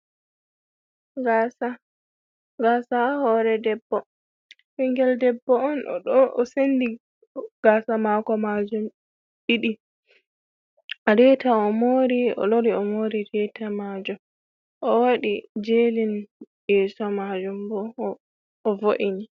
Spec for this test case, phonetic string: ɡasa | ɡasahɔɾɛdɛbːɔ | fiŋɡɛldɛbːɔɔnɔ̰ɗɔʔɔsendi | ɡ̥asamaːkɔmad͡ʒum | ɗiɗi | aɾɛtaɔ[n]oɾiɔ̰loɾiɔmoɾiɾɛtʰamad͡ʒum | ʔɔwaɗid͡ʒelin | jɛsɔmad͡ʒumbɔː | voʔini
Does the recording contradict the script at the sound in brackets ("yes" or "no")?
yes